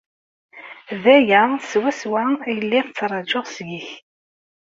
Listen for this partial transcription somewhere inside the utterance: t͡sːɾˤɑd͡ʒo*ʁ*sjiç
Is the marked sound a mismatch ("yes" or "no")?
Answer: no